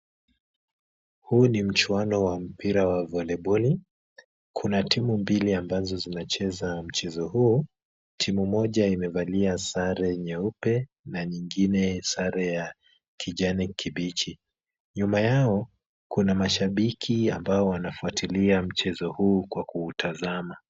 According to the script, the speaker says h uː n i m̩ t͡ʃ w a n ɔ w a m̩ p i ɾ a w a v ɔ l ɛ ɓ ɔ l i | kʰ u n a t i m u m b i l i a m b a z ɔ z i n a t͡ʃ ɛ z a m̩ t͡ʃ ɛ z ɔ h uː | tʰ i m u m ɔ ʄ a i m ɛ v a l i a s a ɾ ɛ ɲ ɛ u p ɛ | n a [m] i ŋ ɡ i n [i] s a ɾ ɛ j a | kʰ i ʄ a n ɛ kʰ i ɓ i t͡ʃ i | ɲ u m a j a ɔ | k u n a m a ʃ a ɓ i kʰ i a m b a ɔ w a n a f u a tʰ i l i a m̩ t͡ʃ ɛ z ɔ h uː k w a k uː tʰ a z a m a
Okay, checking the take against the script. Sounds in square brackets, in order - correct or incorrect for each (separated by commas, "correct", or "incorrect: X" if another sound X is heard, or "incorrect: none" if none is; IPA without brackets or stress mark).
incorrect: ɲ, incorrect: ɛ